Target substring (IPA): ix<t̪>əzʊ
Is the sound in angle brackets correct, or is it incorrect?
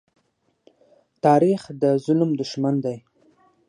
incorrect: d̪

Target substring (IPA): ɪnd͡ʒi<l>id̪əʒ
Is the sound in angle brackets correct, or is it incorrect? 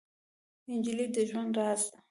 correct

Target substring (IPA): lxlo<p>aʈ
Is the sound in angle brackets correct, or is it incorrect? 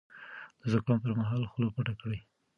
correct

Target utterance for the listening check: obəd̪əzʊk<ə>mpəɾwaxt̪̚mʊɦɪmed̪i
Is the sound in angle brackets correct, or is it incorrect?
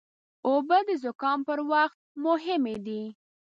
incorrect: ɑ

